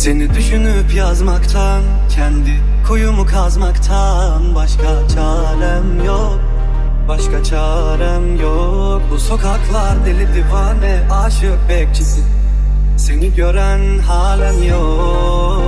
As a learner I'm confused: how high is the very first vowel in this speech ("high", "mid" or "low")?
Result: mid